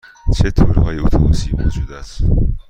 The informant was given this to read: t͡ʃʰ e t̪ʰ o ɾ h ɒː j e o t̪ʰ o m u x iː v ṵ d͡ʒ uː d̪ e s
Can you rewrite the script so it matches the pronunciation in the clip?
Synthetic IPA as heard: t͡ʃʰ e t̪ʰ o ɾ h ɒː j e o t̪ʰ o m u s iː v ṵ d͡ʒ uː d̪ æ s